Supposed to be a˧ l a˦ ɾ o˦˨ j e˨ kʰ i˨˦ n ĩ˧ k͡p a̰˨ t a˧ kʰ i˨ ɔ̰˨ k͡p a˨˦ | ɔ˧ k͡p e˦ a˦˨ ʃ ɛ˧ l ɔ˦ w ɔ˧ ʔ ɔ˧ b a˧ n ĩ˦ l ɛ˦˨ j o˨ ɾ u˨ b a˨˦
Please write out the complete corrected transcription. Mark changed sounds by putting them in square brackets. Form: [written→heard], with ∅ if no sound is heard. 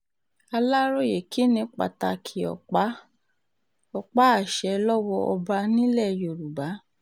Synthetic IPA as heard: a˧ l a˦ ɾ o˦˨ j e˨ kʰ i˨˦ n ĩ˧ k͡p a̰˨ t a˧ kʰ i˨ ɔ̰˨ k͡p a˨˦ | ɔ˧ k͡p [e˦→a˦] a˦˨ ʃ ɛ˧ l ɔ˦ w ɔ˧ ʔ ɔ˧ b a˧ n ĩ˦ l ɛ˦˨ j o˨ ɾ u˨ b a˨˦